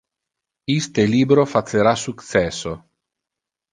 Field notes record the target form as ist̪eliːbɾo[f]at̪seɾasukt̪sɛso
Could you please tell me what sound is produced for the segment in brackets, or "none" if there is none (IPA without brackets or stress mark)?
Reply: f